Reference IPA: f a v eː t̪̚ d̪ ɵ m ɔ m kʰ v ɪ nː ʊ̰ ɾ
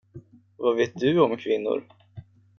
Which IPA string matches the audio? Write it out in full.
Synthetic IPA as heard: v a v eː t̪̚ d̪ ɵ ɔ m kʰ v ɪ nː ʊ̰ ɾ